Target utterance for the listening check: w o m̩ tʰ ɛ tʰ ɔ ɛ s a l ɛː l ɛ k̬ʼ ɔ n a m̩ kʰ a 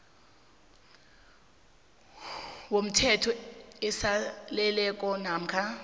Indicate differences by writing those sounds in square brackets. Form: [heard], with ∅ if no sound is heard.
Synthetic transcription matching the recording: w o m̩ tʰ ɛ tʰ ɔ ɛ s a l [ɛ] l ɛ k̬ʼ ɔ n a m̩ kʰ a